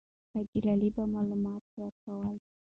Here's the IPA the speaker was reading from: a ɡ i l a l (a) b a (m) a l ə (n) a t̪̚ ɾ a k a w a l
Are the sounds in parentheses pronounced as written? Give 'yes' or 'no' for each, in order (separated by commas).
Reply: no, yes, no